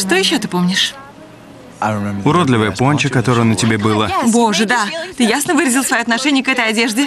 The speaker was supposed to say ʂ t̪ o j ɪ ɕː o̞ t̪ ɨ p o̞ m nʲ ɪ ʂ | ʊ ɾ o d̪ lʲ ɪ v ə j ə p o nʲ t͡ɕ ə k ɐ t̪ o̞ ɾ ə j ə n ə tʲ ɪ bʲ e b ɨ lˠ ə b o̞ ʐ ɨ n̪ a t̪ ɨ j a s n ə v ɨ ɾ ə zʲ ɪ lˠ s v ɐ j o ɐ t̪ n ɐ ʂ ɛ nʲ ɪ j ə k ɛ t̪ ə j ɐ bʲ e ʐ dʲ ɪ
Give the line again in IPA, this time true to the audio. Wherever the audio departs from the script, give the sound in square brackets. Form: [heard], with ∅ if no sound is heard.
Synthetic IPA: ʂ t̪ o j ɪ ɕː o̞ t̪ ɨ p o̞ m nʲ ɪ ʂ | ʊ ɾ o d̪ lʲ ɪ v ə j ə p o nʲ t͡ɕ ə k ɐ t̪ o̞ ɾ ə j ə n ə tʲ ɪ bʲ e b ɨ lˠ ə b o̞ ʐ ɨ [d̪] a t̪ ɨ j a s n ə v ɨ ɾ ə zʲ ɪ lˠ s v ɐ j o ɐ t̪ n ɐ ʂ ɛ nʲ ɪ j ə k ɛ t̪ ə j ɐ [dʲ] e ʐ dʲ ɪ

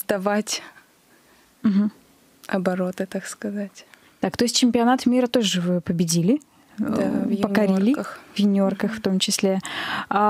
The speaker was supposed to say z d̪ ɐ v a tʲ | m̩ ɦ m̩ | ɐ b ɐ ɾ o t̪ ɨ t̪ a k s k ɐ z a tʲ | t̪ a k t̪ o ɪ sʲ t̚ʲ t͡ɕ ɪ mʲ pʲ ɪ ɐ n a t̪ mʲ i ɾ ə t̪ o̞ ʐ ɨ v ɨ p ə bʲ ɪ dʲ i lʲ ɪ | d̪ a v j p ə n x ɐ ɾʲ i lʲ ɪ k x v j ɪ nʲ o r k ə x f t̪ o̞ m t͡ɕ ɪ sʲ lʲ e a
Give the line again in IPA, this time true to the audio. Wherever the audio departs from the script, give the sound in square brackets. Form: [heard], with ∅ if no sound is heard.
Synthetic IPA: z d̪ ɐ v a tʲ | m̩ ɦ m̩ | ɐ b ɐ ɾ o t̪ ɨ t̪ a k s k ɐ z a tʲ | t̪ a k t̪ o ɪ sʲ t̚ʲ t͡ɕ ɪ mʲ pʲ ɪ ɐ n a t̪ mʲ i ɾ ə t̪ o̞ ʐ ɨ v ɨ p ə bʲ ɪ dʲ i lʲ ɪ | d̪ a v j p ə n [k] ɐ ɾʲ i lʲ ɪ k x v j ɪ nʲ o r k ə x f t̪ o̞ m t͡ɕ ɪ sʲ lʲ e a

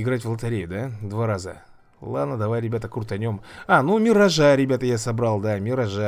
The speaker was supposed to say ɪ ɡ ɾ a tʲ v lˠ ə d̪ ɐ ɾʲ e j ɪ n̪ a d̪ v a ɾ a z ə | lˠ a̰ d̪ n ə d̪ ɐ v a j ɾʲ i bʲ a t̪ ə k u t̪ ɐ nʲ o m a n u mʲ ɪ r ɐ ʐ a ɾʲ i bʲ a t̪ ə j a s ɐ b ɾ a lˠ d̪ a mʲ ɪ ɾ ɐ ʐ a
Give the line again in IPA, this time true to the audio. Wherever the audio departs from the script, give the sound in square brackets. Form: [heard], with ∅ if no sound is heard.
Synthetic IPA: ɪ ɡ ɾ a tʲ v lˠ ə [t̪] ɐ ɾʲ e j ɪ [d̪] a d̪ v a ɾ a z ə | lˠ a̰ d̪ n ə d̪ ɐ v a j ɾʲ [ɪ] bʲ a t̪ ə k u t̪ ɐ nʲ o m a n u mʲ ɪ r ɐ ʐ a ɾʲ [ɪ] bʲ a t̪ ə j a s ɐ b ɾ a lˠ d̪ a mʲ ɪ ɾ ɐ ʐ a

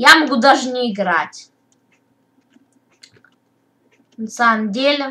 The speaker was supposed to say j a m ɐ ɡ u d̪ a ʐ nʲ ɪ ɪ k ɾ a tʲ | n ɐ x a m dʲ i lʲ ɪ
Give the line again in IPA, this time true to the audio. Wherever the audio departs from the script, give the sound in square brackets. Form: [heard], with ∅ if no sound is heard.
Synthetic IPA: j a m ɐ ɡ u d̪ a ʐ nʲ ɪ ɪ [ɡ] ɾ a tʲ | n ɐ [s] a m dʲ [e] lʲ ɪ

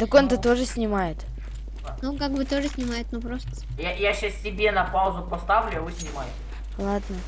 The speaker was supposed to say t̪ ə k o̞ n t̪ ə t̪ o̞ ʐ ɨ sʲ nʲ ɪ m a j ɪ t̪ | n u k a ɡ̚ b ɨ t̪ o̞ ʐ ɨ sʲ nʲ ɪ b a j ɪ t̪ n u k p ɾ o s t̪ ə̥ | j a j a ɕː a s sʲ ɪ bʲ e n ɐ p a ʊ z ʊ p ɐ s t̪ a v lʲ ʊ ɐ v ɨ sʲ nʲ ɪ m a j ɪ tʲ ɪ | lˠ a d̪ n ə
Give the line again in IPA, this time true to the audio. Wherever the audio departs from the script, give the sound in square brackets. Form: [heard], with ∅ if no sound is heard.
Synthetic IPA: t̪ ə k o̞ n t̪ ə t̪ o̞ ʐ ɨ sʲ nʲ ɪ m a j ɪ t̪ | n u k a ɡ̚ b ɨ t̪ o̞ ʐ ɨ sʲ nʲ ɪ [m] a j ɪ t̪ n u [∅] p ɾ o s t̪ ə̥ | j a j a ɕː a s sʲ ɪ bʲ e n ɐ p a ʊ z ʊ p ɐ s t̪ a v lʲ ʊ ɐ v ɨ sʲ nʲ ɪ m a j ɪ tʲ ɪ | lˠ a d̪ n ə

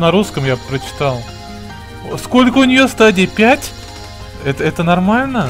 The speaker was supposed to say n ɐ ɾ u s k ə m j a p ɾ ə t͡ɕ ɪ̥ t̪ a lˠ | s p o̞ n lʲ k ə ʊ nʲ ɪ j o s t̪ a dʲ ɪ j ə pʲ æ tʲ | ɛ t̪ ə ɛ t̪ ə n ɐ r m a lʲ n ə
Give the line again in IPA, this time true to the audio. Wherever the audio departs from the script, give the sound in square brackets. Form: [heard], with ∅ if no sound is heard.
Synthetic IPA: n ɐ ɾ u s k ə m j a p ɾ ə t͡ɕ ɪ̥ t̪ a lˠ | s [k] o̞ [∅] lʲ k ə ʊ nʲ ɪ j o s t̪ a dʲ ɪ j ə pʲ æ tʲ | ɛ t̪ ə ɛ t̪ ə n ɐ r m a lʲ n ə

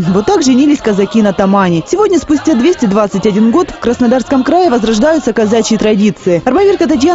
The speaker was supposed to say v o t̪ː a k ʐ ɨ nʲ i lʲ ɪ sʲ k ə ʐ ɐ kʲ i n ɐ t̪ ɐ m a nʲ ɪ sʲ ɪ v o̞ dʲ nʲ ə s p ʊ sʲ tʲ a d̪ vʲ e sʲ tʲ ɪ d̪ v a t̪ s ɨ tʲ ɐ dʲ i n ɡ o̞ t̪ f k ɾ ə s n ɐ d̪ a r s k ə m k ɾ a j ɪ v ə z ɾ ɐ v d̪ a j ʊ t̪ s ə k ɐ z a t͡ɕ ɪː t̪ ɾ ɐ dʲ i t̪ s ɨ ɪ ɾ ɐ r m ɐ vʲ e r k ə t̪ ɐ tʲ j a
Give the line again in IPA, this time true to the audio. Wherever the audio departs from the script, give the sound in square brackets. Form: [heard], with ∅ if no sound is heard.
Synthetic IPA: v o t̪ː a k ʐ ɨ nʲ i lʲ ɪ sʲ k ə [z] ɐ kʲ i n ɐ t̪ ɐ m a nʲ ɪ sʲ ɪ v o̞ dʲ nʲ ə s p ʊ sʲ tʲ a d̪ vʲ e sʲ tʲ ɪ d̪ v a t̪ s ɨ tʲ ɐ dʲ i n ɡ o̞ t̪ f k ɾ ə s n ɐ d̪ a r s k ə m k ɾ a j ɪ v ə z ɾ ɐ [ʐ] d̪ a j ʊ t̪ s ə k ɐ z a t͡ɕ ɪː t̪ ɾ ɐ dʲ i t̪ s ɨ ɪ [∅] ɐ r m ɐ vʲ e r k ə t̪ ɐ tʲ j a

